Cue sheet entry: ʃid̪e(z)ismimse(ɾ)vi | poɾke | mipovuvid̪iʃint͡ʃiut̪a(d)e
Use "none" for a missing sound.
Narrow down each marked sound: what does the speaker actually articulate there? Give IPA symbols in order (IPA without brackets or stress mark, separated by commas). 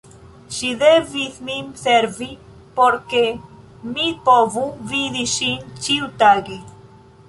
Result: v, ɾ, ɡ